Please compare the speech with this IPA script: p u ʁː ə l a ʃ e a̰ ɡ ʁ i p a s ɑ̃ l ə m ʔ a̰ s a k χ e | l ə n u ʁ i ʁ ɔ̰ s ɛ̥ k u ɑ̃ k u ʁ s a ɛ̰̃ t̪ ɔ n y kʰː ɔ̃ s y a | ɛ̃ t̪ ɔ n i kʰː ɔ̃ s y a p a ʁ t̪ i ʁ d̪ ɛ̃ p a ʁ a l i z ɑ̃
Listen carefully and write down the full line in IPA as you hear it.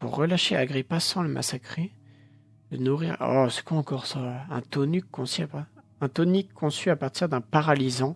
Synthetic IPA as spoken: p u ʁː ə l a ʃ e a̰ ɡ ʁ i p a s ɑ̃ l ə m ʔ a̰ s a k χ e | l ə n u ʁ i ʁ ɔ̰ s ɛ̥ k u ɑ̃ k ɔ ʁ s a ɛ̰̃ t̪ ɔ n y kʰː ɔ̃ s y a | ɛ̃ t̪ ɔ n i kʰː ɔ̃ s y a p a ʁ t̪ i ʁ d̪ ɛ̃ p a ʁ a l i z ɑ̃